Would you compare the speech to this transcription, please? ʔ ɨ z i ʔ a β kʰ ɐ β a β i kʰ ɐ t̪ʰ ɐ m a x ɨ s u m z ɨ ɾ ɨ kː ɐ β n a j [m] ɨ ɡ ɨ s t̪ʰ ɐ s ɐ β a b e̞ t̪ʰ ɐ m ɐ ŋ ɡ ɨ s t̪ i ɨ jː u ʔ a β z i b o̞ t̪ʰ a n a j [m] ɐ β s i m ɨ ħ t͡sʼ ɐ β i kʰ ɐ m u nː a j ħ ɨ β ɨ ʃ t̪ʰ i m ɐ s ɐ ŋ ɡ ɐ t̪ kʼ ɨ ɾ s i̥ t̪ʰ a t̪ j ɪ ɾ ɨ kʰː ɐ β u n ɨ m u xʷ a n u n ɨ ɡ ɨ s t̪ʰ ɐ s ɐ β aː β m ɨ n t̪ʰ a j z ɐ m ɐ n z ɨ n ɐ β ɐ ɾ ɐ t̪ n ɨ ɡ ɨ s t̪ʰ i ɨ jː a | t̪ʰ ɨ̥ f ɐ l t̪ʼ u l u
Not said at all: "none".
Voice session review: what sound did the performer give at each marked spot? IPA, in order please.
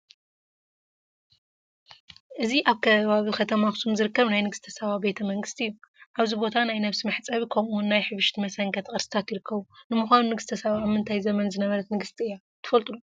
n, n

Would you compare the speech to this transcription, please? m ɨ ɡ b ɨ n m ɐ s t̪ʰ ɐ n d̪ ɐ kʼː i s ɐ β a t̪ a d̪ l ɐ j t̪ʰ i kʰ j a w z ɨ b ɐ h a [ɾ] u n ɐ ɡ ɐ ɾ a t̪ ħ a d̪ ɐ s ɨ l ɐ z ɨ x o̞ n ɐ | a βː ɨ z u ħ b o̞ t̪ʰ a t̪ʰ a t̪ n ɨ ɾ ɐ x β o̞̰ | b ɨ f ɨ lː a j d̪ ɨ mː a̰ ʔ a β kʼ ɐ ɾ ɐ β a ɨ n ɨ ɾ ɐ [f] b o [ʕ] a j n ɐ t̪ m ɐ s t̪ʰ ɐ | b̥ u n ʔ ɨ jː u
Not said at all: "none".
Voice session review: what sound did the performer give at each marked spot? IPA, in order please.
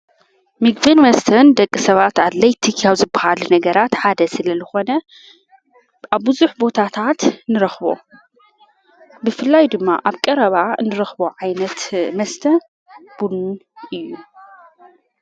l, x, ʕ

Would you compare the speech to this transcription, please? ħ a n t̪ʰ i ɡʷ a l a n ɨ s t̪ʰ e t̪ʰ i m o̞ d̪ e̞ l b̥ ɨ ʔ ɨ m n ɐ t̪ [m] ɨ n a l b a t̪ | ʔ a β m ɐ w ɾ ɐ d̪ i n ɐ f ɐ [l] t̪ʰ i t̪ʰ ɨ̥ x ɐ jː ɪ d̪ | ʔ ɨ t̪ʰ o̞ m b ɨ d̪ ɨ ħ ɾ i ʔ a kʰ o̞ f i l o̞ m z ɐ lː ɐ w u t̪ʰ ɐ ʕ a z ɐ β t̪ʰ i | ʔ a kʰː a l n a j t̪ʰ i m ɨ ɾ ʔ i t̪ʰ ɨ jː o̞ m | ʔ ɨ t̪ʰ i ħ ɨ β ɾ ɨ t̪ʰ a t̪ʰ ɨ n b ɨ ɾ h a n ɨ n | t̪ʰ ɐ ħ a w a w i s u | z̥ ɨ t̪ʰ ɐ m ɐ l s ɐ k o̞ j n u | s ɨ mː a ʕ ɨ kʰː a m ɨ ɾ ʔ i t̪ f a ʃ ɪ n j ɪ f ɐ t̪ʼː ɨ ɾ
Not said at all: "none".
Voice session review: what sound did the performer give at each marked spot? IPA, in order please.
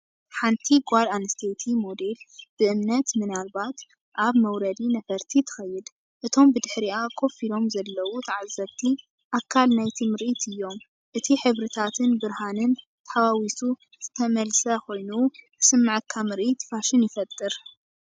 m, ɾ

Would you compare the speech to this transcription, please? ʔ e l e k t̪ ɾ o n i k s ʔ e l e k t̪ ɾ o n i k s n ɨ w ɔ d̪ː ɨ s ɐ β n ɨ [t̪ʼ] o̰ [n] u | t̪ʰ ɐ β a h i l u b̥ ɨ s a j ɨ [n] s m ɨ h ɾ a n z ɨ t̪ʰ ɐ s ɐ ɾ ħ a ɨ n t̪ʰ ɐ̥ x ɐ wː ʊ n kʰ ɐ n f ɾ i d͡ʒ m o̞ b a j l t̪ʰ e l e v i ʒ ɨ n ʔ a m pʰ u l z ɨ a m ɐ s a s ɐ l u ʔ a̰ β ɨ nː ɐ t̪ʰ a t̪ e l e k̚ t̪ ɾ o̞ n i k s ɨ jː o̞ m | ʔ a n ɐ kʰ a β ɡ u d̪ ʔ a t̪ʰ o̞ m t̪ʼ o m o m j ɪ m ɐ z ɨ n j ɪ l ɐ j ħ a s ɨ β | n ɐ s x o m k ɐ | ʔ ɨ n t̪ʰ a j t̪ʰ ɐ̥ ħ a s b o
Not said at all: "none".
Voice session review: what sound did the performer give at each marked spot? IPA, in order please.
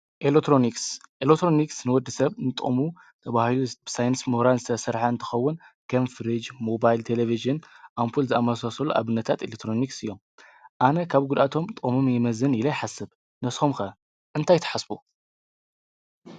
t̪ʼ, m, n

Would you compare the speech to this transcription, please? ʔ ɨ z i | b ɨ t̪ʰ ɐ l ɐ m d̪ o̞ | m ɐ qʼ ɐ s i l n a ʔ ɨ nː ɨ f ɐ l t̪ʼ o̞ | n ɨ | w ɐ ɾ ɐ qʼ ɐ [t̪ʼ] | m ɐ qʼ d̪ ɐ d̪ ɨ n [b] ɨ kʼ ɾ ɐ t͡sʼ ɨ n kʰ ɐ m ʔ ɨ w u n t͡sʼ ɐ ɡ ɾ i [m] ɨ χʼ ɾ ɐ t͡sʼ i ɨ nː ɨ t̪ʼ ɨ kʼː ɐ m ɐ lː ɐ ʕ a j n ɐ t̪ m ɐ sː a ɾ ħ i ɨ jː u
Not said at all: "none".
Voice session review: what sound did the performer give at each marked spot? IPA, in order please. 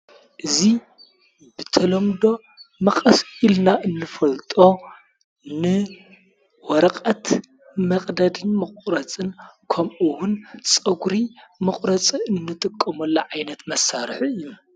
t̪, m, m

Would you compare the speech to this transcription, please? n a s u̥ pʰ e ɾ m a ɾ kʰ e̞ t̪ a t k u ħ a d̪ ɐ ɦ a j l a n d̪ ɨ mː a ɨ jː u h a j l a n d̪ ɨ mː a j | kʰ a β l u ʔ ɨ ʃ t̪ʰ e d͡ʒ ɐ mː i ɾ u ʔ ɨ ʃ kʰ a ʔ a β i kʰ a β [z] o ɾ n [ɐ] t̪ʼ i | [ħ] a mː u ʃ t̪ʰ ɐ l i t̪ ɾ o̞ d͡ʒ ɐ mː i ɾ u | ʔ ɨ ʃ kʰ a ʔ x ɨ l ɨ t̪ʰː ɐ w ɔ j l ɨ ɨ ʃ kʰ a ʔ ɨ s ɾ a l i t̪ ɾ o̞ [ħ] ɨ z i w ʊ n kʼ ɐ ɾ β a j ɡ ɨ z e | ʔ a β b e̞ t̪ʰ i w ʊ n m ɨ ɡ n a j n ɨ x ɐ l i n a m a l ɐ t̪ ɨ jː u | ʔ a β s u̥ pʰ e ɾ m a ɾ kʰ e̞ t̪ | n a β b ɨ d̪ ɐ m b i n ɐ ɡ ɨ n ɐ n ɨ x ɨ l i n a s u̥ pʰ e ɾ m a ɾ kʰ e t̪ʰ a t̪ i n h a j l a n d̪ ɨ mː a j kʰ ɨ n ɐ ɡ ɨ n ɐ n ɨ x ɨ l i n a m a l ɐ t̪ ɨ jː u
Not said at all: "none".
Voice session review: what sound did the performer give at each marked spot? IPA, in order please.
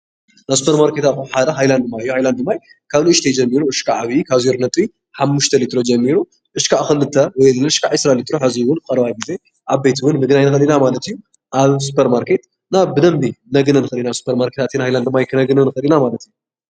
z, ɐ, ħ, ħ

